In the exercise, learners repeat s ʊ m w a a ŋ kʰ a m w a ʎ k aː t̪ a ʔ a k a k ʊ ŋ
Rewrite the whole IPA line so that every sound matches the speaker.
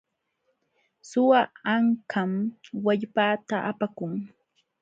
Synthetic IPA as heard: s ʊ w a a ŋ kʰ a m w a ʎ p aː t̪ a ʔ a p a k ʊ ŋ